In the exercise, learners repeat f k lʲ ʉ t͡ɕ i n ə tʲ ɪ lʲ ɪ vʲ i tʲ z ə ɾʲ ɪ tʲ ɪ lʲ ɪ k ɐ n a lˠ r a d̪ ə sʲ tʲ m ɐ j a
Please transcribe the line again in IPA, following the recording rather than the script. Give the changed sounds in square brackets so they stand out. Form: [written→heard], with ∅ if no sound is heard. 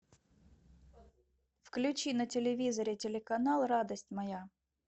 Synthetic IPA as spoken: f k lʲ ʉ t͡ɕ i n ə tʲ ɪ lʲ ɪ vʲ i [tʲ→∅] z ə ɾʲ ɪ tʲ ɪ lʲ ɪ k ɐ n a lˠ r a d̪ ə sʲ tʲ m ɐ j a

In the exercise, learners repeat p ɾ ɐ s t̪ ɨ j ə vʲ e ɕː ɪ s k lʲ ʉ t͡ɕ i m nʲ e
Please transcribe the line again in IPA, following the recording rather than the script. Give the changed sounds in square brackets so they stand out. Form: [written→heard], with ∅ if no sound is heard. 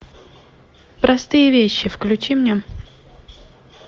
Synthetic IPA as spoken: p ɾ ɐ s t̪ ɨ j ə vʲ e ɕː ɪ [s→f] k lʲ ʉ t͡ɕ i m nʲ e

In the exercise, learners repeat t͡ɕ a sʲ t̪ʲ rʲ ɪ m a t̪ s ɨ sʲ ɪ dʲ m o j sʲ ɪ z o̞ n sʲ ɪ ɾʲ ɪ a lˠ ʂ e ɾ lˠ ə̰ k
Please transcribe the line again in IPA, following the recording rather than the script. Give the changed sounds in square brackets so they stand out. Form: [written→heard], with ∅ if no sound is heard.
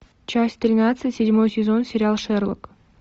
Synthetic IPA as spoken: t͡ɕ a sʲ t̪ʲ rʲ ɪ [m→n] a t̪ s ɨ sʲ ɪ dʲ m o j sʲ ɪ z o̞ n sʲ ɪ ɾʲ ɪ a lˠ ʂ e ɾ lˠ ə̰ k

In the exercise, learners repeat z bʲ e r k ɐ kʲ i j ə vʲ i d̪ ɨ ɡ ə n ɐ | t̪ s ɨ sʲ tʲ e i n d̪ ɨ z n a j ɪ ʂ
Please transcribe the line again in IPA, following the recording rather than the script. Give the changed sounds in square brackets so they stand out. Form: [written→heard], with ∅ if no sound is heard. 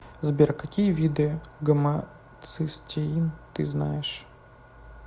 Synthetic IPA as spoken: z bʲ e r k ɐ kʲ i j ə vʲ i d̪ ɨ ɡ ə [n→m] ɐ | t̪ s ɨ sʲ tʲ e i n [d̪→t̪] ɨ z n a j ɪ ʂ

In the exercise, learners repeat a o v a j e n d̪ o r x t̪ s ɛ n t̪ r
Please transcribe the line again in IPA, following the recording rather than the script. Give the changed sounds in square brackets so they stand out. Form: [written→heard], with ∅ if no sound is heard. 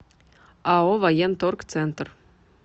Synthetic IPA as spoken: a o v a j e n [d̪→t̪] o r [x→k] t̪ s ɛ n t̪ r

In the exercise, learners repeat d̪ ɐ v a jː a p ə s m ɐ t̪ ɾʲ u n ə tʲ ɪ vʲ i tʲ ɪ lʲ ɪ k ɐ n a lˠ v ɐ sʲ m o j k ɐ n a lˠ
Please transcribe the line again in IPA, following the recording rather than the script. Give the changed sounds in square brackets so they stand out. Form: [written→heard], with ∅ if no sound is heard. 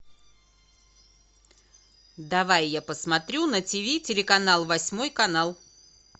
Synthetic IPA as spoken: d̪ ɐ v a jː a p ə s m ɐ t̪ ɾʲ u n ə tʲ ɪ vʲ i tʲ ɪ lʲ ɪ k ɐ n a lˠ v ɐ sʲ m o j k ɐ n a lˠ

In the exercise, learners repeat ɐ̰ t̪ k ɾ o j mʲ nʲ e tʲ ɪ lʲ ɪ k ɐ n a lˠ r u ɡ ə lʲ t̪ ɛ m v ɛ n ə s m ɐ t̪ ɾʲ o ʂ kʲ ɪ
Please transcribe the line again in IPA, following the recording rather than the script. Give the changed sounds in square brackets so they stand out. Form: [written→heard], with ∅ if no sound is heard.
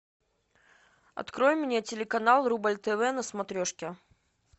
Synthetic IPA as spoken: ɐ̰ t̪ k ɾ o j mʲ nʲ e tʲ ɪ lʲ ɪ k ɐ n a lˠ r u [ɡ→b] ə lʲ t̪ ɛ [m→∅] v ɛ n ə s m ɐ t̪ ɾʲ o ʂ kʲ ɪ

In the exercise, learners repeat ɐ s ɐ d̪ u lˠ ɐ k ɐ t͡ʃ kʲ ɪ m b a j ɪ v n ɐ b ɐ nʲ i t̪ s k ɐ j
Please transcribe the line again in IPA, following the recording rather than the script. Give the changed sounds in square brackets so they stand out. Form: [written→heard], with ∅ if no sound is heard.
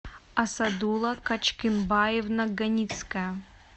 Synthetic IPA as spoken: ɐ s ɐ d̪ u lˠ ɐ k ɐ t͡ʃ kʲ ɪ [m→n] b a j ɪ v n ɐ [b→ɡ] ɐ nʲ i t̪ s k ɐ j

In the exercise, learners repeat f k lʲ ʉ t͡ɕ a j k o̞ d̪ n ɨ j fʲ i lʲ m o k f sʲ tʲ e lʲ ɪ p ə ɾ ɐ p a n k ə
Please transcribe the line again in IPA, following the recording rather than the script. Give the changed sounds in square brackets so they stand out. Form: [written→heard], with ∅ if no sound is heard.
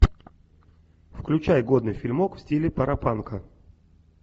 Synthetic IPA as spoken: f k lʲ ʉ t͡ɕ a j [k→ɡ] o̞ d̪ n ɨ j fʲ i lʲ m o k f sʲ tʲ [e→i] lʲ ɪ p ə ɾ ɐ p a n k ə

